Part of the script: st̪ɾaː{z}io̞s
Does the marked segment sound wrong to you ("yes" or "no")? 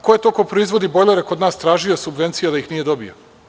yes